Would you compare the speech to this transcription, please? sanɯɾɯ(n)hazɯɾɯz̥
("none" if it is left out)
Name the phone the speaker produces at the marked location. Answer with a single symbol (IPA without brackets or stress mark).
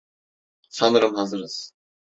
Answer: m